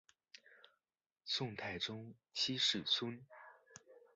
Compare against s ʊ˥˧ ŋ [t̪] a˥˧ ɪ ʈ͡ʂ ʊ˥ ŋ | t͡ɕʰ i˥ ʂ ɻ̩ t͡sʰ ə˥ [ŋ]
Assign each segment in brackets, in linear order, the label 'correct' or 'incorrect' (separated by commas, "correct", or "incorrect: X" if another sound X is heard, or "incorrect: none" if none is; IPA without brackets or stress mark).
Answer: incorrect: t̪ʰ, incorrect: n